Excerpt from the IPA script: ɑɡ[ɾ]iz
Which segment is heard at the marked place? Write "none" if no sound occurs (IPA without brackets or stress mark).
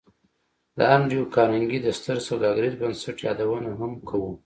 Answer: ɾ